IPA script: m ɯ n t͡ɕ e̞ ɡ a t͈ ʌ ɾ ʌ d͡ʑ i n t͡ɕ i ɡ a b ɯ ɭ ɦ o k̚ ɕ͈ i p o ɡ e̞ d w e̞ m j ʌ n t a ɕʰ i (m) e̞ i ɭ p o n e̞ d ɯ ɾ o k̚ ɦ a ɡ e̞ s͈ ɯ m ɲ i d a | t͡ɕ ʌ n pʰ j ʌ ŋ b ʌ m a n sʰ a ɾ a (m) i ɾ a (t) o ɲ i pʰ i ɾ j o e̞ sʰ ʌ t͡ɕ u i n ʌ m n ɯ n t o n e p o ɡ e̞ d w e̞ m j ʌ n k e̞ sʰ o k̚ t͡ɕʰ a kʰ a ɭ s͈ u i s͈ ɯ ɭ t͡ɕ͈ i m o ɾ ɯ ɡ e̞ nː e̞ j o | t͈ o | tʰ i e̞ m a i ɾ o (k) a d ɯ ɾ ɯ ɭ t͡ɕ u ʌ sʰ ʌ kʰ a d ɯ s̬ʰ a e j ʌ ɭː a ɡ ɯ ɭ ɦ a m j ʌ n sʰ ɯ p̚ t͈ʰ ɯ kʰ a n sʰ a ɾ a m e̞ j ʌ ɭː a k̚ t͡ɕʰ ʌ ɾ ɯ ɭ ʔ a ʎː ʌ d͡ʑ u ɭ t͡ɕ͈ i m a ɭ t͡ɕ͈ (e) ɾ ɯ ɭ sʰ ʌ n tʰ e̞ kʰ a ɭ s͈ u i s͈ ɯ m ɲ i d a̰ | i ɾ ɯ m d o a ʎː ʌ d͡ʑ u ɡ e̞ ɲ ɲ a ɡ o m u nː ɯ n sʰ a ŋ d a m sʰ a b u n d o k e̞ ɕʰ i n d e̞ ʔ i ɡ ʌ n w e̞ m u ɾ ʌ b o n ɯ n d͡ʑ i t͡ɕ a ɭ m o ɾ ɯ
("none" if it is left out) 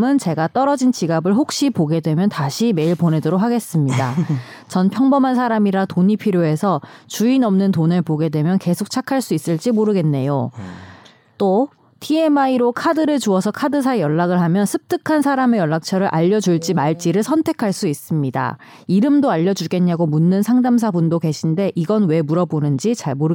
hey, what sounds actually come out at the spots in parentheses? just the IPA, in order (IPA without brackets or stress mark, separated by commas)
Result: m, m, t, kʰ, i